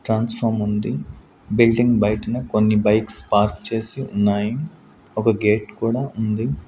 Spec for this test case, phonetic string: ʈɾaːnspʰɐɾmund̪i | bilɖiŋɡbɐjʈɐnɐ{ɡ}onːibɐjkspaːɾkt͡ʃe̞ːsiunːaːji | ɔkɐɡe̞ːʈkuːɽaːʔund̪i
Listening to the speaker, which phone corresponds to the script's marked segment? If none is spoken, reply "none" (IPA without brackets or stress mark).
k